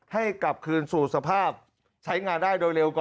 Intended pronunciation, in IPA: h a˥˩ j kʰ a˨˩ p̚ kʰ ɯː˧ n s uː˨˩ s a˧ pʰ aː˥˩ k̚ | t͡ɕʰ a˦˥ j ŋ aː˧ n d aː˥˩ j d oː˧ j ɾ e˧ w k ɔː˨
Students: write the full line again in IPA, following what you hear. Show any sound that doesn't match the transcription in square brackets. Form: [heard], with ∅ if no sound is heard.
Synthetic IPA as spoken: h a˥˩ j [k] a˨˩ p̚ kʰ ɯː˧ n s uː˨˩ s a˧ pʰ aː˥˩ [p̚] | t͡ɕʰ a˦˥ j ŋ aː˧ n d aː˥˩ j d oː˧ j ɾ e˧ w k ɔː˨